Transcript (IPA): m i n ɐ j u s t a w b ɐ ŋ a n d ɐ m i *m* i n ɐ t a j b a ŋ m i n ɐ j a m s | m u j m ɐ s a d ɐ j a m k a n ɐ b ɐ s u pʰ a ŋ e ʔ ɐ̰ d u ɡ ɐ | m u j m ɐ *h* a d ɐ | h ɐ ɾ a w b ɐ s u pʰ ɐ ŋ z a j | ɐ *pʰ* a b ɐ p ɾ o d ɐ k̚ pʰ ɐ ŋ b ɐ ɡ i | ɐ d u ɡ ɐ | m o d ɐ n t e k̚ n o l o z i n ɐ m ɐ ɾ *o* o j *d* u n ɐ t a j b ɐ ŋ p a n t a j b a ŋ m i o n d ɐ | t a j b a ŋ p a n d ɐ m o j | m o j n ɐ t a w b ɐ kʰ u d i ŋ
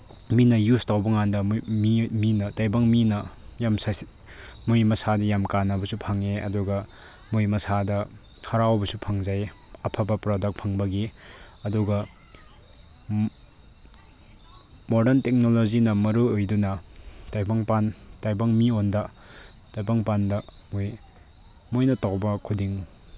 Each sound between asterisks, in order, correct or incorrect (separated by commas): correct, incorrect, correct, incorrect, correct